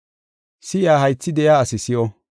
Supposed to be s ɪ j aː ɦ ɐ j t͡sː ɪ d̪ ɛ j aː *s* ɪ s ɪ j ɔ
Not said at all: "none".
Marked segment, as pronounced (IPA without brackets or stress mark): s